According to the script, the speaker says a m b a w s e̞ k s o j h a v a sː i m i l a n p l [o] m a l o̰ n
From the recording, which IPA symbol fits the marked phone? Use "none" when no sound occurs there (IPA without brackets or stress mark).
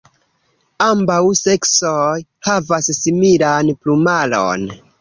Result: u